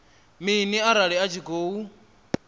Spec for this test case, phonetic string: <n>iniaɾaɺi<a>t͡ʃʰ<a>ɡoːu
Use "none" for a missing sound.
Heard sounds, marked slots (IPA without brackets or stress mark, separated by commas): m, a, i